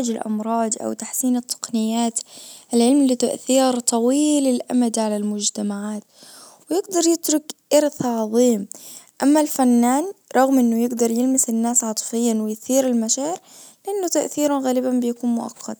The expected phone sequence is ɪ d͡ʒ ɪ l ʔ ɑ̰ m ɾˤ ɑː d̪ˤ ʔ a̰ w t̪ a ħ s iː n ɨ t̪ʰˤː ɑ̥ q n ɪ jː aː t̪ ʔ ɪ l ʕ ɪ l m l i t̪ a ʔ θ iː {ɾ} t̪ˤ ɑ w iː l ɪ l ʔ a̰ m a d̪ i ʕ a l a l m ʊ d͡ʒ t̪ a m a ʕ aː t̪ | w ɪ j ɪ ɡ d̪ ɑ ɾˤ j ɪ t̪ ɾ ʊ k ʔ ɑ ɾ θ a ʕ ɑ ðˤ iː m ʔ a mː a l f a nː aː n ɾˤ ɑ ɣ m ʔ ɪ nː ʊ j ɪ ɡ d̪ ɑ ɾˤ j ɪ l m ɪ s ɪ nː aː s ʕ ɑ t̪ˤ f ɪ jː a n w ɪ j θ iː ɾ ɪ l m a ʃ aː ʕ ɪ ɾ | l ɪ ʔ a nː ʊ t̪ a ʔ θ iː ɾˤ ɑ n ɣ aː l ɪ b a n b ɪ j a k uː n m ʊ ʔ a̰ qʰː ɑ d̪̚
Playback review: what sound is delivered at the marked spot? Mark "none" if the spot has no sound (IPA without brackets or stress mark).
ɾ